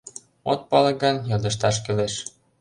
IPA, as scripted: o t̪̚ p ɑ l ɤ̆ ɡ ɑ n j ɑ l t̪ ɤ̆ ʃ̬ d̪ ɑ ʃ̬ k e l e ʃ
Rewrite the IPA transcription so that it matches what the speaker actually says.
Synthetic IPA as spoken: o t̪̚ p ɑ l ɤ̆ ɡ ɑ n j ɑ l d̪ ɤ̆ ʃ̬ t̪ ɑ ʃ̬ k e l e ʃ